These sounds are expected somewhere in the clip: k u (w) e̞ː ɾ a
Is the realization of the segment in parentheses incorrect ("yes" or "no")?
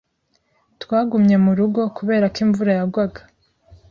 yes